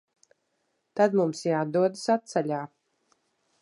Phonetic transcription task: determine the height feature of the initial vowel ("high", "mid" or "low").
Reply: low